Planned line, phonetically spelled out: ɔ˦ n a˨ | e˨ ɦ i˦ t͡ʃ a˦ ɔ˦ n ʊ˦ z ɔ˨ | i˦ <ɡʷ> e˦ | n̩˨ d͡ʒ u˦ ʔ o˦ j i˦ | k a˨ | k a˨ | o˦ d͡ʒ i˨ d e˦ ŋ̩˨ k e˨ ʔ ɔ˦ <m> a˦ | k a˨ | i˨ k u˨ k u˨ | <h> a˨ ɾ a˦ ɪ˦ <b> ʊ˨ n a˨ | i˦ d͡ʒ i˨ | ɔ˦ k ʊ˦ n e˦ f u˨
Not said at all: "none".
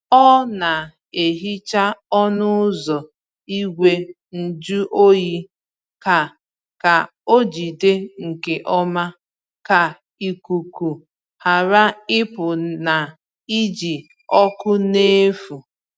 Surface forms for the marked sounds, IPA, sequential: ɡʷ, m, h, p

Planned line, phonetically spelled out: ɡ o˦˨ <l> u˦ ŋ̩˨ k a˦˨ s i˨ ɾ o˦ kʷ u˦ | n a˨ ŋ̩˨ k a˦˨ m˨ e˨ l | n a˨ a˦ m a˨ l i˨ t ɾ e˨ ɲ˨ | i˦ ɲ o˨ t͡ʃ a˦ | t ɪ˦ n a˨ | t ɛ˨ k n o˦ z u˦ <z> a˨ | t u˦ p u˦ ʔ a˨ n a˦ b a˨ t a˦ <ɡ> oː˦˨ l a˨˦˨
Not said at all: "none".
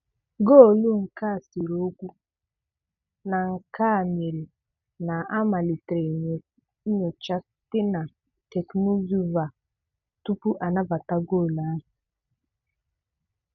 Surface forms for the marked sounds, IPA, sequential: l, v, ɡ

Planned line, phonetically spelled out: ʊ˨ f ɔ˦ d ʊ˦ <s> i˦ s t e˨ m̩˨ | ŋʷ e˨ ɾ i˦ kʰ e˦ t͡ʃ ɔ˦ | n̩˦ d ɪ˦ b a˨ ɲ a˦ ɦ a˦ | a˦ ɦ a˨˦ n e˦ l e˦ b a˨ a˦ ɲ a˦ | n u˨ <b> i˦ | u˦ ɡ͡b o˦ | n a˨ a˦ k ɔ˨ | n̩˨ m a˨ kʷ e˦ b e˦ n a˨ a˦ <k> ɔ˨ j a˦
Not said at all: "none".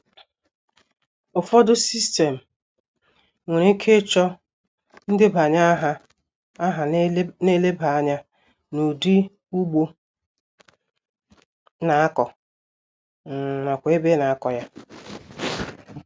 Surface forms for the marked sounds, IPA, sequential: s, d, k

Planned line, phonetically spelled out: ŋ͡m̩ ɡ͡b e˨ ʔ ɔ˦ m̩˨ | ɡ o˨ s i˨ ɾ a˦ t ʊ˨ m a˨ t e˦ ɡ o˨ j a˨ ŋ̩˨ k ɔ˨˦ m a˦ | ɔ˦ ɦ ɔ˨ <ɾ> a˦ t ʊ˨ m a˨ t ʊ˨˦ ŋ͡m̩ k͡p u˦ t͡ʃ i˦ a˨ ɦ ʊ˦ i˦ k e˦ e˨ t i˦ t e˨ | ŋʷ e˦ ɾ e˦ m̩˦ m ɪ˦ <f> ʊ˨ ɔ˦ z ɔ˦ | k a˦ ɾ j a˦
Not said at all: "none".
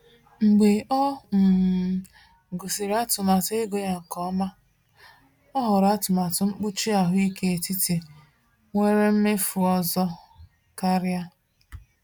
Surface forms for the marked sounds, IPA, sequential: ɾ, f

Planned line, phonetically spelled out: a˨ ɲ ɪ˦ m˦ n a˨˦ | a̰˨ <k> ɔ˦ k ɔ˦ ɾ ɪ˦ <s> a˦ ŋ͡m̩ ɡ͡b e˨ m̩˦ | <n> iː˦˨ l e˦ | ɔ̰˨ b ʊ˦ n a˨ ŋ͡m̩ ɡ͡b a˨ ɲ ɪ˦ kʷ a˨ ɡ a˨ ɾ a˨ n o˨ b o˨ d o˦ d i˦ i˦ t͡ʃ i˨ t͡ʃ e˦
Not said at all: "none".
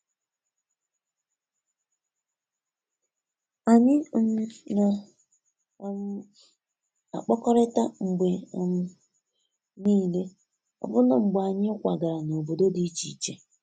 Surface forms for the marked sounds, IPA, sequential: k͡p, t, n

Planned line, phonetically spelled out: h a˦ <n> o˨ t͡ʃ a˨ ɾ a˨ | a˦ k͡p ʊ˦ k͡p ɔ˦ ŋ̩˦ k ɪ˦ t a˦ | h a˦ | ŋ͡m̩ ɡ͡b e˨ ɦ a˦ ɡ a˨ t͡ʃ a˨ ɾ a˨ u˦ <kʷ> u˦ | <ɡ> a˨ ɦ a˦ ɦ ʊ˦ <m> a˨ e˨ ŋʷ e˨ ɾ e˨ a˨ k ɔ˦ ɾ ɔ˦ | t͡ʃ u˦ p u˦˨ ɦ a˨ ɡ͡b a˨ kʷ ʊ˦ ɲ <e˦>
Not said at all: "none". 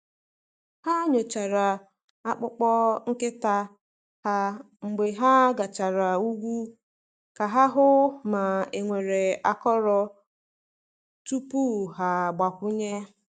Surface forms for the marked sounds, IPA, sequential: ɲ, ɡʷ, k, m, e˦

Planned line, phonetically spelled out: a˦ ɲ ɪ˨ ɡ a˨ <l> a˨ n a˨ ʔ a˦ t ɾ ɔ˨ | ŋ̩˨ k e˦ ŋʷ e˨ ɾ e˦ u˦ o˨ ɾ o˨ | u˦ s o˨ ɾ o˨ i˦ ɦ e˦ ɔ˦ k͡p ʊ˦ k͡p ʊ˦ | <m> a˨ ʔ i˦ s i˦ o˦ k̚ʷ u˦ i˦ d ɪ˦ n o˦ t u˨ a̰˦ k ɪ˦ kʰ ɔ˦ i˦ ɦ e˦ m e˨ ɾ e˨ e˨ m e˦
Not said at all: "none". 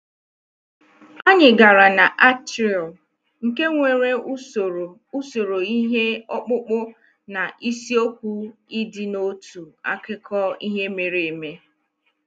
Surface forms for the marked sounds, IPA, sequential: ɾ, n

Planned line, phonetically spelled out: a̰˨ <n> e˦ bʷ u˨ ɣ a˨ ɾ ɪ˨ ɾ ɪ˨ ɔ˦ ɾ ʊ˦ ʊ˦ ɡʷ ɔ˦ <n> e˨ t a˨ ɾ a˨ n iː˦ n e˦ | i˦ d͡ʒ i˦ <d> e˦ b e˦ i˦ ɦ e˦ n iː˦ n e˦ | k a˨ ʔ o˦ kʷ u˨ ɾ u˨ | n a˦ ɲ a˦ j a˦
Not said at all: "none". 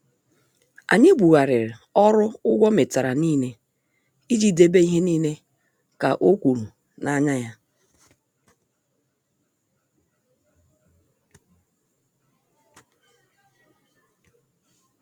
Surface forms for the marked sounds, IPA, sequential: ɲ, m, d

